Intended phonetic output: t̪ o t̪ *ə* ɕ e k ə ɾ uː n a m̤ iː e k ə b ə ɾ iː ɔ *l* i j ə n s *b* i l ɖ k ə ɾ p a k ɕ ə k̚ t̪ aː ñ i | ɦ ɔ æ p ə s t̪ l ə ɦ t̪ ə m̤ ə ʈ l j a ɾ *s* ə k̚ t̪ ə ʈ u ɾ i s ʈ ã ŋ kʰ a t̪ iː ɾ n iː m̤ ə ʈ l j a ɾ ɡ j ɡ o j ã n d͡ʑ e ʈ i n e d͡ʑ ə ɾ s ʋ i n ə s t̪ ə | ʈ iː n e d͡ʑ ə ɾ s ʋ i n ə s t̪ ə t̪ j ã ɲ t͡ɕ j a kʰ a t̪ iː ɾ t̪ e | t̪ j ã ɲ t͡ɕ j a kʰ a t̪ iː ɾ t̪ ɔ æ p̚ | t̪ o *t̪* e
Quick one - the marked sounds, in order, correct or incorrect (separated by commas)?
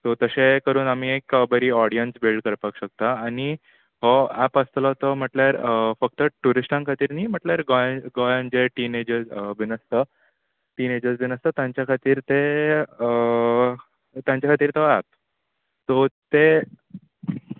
correct, incorrect, correct, incorrect, correct